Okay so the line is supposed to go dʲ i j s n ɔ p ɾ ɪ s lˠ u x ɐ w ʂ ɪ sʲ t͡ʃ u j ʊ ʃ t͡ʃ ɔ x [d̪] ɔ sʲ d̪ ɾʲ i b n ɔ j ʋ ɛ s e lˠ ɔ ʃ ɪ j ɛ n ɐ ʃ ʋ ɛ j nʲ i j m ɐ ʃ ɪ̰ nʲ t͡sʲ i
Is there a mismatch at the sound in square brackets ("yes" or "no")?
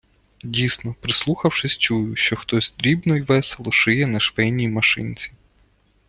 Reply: yes